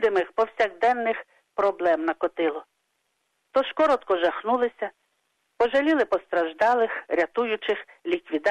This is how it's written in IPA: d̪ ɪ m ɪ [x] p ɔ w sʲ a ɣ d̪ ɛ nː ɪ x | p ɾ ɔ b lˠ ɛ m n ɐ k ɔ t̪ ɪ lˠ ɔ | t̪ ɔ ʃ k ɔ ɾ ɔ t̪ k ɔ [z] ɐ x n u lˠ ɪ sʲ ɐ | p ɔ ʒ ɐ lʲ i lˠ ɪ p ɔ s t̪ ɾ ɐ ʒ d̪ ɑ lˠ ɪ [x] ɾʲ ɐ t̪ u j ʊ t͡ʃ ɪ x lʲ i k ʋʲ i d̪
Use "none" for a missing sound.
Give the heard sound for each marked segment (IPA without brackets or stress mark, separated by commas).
x, ʒ, x